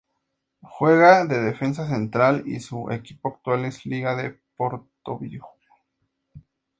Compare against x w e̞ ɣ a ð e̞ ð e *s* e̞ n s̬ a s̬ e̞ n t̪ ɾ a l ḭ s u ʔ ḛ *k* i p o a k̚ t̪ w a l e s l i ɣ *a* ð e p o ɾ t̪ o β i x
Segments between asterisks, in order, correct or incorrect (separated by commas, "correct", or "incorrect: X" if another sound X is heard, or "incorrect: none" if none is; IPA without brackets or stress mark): incorrect: f, correct, correct